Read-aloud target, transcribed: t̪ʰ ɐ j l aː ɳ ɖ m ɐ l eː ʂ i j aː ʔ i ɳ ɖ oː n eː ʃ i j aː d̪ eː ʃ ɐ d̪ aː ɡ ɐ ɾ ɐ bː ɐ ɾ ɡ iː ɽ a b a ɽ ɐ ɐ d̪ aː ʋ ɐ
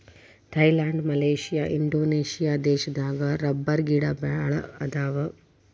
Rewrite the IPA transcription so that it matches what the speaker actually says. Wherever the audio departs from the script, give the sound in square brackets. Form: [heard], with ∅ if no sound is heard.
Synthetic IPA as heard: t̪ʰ ɐ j l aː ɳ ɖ m ɐ l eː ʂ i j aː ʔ i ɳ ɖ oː n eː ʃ i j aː d̪ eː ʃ ɐ d̪ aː ɡ ɐ ɾ ɐ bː ɐ ɾ ɡ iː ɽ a b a [ɭ] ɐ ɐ d̪ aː ʋ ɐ